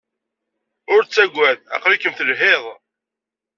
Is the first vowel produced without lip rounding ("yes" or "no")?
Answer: no